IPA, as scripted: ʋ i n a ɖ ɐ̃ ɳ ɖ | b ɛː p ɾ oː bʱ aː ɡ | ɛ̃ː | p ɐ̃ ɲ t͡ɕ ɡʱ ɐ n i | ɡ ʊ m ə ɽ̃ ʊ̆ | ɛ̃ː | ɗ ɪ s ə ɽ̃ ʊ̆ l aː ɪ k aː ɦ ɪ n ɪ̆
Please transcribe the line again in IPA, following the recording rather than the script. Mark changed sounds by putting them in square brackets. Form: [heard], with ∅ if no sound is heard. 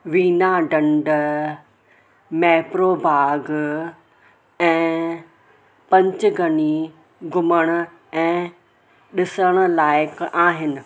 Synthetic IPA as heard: ʋ [iː] n a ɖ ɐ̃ ɳ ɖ | [m] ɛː p ɾ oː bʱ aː ɡ | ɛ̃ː | p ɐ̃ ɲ t͡ɕ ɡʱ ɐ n i | ɡ ʊ m ə ɽ̃ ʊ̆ | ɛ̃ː | ɗ ɪ s ə ɽ̃ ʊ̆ l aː ɪ k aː ɦ ɪ n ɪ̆

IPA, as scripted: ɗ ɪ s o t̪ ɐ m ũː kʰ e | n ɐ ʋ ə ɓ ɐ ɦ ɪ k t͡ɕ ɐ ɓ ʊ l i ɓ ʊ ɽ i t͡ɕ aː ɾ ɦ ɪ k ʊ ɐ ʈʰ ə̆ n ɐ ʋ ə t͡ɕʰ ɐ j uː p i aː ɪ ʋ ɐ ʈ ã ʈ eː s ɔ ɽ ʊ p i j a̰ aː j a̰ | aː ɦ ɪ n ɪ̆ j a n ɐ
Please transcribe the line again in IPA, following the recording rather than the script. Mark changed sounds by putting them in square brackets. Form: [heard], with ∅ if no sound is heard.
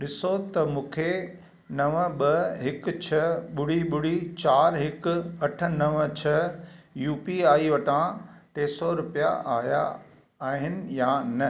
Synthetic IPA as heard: ɗ ɪ s o t̪ ɐ m ũː kʰ e | n ɐ ʋ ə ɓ ɐ ɦ ɪ k [t͡ɕʰ] ɐ ɓ ʊ [ɽ] i ɓ ʊ ɽ i t͡ɕ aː ɾ ɦ ɪ k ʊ ɐ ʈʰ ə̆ n ɐ ʋ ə t͡ɕʰ ɐ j uː p i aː [i] ʋ ɐ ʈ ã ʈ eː s ɔ [ɾ] ʊ p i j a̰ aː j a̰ | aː ɦ ɪ n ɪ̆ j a n ɐ

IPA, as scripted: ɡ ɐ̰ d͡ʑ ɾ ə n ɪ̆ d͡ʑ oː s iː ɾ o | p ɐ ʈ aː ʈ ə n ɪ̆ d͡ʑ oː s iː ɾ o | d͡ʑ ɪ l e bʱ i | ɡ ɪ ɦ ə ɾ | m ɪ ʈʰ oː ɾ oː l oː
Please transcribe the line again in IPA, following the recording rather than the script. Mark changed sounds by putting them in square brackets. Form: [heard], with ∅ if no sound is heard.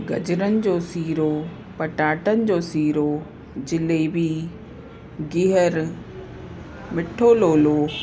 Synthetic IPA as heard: ɡ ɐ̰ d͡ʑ ɾ ə n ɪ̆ d͡ʑ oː s iː ɾ o | p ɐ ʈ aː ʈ ə n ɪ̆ d͡ʑ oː s iː ɾ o | d͡ʑ ɪ l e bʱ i | ɡ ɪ ɦ ə ɾ | m ɪ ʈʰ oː [l] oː l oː

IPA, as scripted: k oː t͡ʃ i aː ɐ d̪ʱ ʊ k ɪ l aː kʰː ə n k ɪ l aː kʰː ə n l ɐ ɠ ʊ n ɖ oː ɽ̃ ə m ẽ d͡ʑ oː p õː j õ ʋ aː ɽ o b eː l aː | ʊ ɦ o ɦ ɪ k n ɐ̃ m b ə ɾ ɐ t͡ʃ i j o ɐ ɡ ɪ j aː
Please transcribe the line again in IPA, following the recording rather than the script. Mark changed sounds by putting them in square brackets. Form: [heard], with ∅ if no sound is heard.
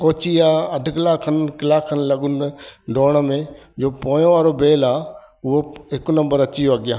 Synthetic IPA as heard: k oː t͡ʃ i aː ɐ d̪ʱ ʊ k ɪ l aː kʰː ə n k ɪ l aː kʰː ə n l ɐ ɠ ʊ n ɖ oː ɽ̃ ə m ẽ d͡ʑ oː p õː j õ ʋ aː [ɾ] o b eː l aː | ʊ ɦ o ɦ ɪ k n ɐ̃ m b ə ɾ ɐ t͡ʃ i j o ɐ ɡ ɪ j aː

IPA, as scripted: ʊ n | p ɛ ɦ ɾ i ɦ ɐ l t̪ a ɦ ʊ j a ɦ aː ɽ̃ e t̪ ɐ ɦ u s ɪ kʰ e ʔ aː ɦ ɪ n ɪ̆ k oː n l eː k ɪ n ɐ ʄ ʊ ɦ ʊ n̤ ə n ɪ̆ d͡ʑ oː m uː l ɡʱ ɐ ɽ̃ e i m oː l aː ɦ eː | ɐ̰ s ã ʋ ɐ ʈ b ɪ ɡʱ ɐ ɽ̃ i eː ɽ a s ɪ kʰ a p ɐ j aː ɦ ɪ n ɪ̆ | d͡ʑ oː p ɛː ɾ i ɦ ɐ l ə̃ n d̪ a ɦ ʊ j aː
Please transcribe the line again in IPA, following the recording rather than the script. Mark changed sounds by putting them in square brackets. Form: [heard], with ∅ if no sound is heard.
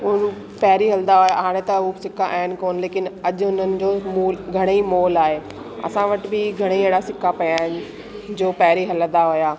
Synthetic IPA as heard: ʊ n | p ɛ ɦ ɾ i ɦ ɐ l [d̪] a ɦ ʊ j a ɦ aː ɽ̃ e t̪ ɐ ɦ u s ɪ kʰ [a] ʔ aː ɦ ɪ n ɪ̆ k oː n l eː k ɪ n ɐ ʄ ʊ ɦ ʊ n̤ ə n ɪ̆ d͡ʑ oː m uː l ɡʱ ɐ ɽ̃ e i m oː l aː ɦ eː | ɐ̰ s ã ʋ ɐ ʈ b ɪ ɡʱ ɐ ɽ̃ i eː ɽ a s ɪ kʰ a p ɐ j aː ɦ ɪ n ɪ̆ | d͡ʑ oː p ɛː ɾ i ɦ ɐ l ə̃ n d̪ a ɦ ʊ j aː

